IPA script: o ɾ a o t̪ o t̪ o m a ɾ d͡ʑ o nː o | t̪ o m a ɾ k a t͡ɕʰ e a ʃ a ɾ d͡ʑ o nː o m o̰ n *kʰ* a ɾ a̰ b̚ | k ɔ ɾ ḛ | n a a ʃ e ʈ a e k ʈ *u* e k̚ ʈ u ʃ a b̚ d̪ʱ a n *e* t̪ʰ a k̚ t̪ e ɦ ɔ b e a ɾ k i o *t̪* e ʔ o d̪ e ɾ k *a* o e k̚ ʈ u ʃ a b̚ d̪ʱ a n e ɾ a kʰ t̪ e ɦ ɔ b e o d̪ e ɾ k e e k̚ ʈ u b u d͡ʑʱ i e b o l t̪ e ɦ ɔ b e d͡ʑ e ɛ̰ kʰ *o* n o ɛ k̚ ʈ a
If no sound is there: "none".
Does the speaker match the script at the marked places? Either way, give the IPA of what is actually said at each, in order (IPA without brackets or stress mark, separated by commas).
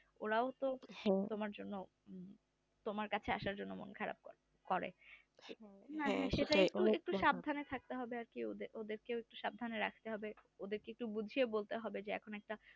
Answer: kʰ, u, e, d̪, e, o